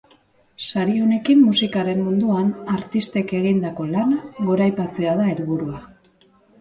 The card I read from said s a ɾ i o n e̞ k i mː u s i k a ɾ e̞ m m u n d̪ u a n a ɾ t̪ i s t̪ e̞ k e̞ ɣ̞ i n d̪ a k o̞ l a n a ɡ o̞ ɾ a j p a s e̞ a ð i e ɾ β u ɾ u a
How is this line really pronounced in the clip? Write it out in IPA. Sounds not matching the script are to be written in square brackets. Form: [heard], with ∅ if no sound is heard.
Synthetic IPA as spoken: s a ɾ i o n e̞ k i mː u s i k a ɾ e̞ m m u n d̪ u a n a ɾ t̪ i s t̪ e̞ k e̞ ɣ̞ i n d̪ a k o̞ l a n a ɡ o̞ ɾ a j p a [t͡s] e̞ a ð [a] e ɾ β u ɾ u a

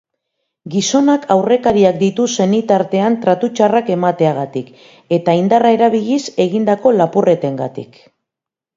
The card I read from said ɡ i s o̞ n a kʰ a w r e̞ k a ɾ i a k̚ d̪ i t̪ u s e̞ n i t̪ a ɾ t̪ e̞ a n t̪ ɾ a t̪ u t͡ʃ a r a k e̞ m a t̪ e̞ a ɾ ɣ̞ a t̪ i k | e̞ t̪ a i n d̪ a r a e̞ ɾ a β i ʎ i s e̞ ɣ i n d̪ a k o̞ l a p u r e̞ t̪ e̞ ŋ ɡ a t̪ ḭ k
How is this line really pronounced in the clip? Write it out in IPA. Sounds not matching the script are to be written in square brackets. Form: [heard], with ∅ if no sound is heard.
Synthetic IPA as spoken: ɡ i s o̞ n a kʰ a w r e̞ k a ɾ i a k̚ d̪ i t̪ u s e̞ n i t̪ a ɾ t̪ e̞ a n t̪ ɾ a t̪ u t͡ʃ a r a k e̞ m a t̪ e̞ a [∅] ɣ̞ a t̪ i k | e̞ t̪ a i n d̪ a r a e̞ ɾ a β i ʎ i s e̞ ɣ i n d̪ a k o̞ l a p u r e̞ t̪ e̞ ŋ ɡ a t̪ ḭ k

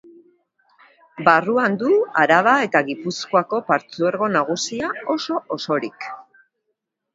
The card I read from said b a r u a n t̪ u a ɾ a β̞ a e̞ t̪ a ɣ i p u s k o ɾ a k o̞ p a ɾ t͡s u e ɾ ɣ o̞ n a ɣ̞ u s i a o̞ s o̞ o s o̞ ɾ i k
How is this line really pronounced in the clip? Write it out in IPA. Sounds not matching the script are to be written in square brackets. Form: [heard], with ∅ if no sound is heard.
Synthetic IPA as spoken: b a r u a n [d̪] u a ɾ a β̞ a e̞ t̪ a ɣ i p u s k o [∅] a k o̞ p a ɾ t͡s u e ɾ ɣ o̞ n a ɣ̞ u s i a o̞ s o̞ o s o̞ ɾ i k

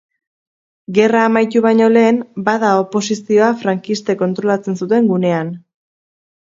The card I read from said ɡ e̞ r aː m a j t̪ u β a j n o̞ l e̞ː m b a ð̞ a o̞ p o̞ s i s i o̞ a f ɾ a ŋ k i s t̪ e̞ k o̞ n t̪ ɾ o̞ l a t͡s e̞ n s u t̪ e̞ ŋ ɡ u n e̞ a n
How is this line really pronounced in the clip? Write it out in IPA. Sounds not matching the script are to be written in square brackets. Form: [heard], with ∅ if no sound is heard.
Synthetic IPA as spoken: ɡ e̞ r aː m a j t̪ u β a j [ɲ] o̞ l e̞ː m b a ð̞ a o̞ p o̞ s i s i o̞ a f ɾ a ŋ k i s t̪ e̞ k o̞ n t̪ ɾ o̞ l a t͡s e̞ n s u t̪ e̞ ŋ ɡ u n e̞ a n

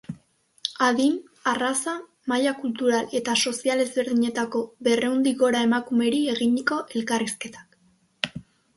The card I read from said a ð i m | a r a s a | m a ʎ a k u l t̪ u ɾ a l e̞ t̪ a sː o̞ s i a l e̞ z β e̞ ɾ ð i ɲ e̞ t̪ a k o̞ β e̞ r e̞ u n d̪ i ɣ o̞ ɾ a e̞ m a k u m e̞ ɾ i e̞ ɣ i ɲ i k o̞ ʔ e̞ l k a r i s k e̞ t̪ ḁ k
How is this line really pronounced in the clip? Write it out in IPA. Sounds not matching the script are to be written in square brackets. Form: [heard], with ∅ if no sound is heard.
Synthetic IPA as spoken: a ð i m | a r a s a | m a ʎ a k u l t̪ u ɾ a l e̞ t̪ a [s] o̞ s i a l e̞ z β e̞ ɾ ð i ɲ e̞ t̪ a k o̞ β e̞ r e̞ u n d̪ i ɣ o̞ ɾ a e̞ m a k u m e̞ ɾ i e̞ ɣ i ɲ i k o̞ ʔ e̞ l k a r i s k e̞ t̪ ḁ k

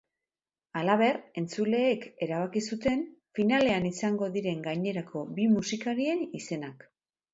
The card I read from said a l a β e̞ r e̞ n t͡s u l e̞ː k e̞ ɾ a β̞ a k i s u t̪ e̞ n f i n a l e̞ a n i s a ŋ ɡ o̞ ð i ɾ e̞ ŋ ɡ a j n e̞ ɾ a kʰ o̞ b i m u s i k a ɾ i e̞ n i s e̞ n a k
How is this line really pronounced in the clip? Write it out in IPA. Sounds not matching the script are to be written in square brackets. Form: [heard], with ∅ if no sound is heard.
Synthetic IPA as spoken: a l a β e̞ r e̞ n t͡s u l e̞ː k e̞ ɾ a β̞ a k i s u t̪ e̞ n f i n a l e̞ a n i s a ŋ ɡ o̞ ð i ɾ e̞ ŋ ɡ a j [ɲ] e̞ ɾ a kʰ o̞ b i m u s i k a ɾ i e̞ n i s e̞ n a k

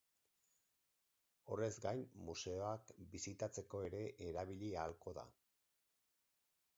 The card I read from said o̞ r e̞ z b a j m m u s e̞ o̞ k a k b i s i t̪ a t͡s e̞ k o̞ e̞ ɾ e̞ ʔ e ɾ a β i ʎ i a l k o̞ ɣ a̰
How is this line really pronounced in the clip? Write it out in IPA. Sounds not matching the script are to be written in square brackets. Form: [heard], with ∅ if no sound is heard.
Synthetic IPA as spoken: o̞ r e̞ z [ɡ] a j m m u s e̞ o̞ [∅] a k b i s i t̪ a t͡s e̞ k o̞ e̞ ɾ e̞ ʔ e ɾ a β i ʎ i a l k o̞ [ð] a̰

